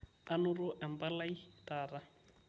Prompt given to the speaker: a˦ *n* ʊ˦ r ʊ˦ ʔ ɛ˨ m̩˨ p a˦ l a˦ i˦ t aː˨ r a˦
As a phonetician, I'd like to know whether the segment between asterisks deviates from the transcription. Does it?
no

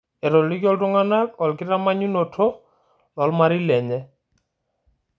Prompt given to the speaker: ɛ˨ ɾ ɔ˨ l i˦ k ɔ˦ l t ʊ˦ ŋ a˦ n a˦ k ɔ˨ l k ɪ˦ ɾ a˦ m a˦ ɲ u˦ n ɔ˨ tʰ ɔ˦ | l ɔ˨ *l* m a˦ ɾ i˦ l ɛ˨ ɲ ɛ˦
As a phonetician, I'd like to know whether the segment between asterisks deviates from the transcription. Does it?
no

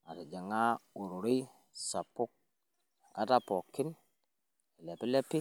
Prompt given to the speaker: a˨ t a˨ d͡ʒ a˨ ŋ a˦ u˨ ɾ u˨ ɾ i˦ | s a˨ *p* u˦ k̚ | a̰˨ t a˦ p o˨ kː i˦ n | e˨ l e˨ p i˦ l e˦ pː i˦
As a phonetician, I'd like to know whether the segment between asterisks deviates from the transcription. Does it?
no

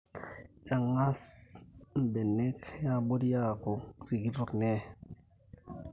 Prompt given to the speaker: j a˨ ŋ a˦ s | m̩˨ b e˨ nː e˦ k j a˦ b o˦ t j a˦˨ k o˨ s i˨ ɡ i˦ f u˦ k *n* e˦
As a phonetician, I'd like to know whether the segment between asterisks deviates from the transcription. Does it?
no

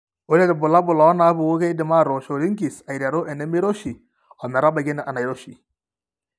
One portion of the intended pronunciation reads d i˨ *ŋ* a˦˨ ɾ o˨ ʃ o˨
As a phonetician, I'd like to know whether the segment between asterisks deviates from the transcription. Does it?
yes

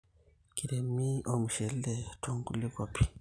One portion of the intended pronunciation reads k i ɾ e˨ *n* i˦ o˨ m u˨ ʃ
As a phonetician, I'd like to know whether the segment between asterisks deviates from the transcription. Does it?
yes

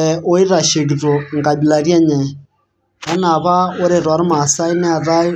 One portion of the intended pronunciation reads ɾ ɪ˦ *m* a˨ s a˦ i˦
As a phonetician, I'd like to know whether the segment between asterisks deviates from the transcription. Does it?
no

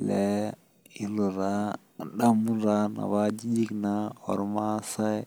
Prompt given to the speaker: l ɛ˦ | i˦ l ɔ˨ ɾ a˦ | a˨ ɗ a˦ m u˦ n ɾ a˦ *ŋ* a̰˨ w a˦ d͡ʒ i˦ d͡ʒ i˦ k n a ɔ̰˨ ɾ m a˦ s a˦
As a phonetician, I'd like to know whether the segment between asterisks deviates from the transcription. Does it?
yes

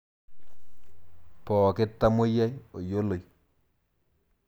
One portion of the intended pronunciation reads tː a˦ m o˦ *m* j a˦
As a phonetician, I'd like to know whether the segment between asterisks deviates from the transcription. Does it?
yes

